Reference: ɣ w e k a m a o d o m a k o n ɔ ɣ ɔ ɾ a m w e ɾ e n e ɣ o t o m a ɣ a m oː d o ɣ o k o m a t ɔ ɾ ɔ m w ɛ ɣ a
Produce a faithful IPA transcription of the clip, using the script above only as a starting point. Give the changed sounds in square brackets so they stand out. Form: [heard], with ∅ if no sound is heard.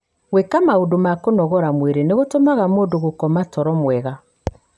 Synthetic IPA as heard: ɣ w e k a m a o d o m a k o n ɔ ɣ ɔ ɾ a m w e ɾ e n e ɣ o t o m a ɣ a m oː d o ɣ o k [ɔ] m a t ɔ ɾ ɔ m w ɛ ɣ a